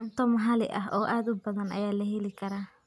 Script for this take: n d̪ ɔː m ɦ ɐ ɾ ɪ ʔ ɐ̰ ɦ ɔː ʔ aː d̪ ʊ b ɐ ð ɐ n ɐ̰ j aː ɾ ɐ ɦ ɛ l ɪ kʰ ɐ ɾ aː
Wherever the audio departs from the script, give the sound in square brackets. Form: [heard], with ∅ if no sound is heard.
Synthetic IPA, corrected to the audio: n [t̪] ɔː m ɦ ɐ [l] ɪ ʔ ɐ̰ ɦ ɔː ʔ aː d̪ ʊ b ɐ ð ɐ n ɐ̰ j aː [l] ɐ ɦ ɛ l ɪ kʰ ɐ ɾ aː